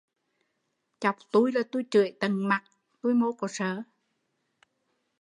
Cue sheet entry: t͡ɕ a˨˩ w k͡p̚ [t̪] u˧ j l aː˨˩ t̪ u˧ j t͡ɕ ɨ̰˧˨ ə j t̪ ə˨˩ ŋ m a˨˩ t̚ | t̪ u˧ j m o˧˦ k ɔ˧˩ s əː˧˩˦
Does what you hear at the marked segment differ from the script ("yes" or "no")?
no